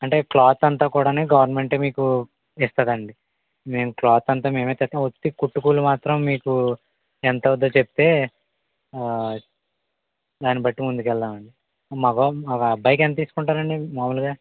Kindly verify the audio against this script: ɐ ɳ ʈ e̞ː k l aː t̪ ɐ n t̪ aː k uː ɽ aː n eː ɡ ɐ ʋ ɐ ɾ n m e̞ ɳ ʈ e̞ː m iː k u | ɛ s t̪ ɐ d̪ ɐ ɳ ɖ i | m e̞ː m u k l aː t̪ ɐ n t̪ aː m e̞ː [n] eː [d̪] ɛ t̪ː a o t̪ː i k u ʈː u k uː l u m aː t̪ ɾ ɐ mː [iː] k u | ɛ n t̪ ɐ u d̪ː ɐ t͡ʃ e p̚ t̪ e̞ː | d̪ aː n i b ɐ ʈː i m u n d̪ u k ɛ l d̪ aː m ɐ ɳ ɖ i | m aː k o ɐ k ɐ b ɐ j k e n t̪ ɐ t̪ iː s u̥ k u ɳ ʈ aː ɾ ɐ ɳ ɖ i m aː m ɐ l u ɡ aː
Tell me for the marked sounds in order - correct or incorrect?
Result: incorrect: m, incorrect: t̪, correct

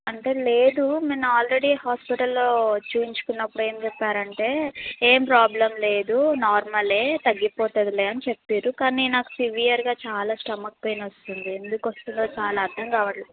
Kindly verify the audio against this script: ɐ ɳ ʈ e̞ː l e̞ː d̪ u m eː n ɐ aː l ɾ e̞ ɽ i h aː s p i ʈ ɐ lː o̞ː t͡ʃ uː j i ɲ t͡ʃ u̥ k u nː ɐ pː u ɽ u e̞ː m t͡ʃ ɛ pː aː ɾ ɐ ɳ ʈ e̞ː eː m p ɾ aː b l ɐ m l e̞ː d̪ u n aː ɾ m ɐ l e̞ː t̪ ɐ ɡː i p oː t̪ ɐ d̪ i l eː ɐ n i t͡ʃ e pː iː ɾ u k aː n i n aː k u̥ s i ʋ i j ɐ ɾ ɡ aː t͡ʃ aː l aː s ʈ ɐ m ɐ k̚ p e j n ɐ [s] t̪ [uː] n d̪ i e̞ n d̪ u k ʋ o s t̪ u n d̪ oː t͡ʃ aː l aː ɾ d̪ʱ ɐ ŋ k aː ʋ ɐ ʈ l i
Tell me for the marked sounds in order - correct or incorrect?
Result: correct, incorrect: u

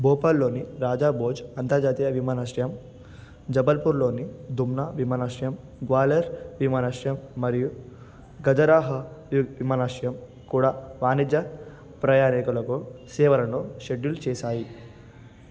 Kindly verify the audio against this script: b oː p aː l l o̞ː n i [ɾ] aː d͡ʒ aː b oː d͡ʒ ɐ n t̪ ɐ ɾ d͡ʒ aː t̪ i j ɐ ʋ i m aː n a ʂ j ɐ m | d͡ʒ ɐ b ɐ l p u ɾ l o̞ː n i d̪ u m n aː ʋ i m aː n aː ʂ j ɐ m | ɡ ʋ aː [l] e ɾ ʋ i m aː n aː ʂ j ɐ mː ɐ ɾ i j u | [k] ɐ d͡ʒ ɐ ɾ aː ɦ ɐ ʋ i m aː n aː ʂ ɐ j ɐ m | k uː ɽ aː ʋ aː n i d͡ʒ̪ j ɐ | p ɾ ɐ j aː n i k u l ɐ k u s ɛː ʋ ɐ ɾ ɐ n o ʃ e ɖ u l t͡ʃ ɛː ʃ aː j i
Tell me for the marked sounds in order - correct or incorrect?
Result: correct, correct, incorrect: ɡ

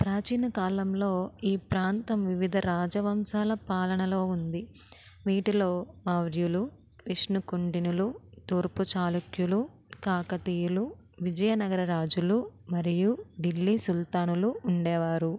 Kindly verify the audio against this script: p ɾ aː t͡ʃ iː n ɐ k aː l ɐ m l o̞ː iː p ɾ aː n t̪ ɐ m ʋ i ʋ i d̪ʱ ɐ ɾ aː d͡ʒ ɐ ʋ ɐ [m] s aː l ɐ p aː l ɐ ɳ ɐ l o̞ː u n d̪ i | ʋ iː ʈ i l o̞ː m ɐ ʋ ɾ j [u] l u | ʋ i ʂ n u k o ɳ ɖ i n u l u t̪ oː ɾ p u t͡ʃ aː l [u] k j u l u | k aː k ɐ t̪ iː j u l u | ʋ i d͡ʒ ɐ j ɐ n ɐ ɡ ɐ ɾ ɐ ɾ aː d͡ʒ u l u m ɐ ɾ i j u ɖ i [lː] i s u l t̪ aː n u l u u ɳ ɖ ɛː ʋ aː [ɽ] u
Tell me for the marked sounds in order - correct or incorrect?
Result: correct, correct, correct, correct, incorrect: ɾ

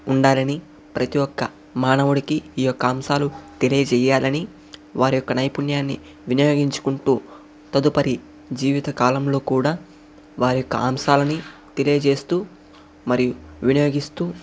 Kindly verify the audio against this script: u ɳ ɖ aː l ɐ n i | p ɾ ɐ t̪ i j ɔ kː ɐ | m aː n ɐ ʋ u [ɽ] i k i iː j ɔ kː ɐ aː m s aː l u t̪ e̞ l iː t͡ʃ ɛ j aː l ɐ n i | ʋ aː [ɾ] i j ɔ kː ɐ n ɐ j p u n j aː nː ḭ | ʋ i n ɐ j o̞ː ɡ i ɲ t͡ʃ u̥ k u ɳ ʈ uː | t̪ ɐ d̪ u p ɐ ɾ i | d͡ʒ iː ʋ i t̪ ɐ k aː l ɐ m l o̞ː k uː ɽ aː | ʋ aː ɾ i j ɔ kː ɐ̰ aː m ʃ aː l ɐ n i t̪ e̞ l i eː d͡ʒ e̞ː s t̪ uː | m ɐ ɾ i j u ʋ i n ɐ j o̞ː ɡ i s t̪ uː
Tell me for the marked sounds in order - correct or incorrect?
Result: correct, correct

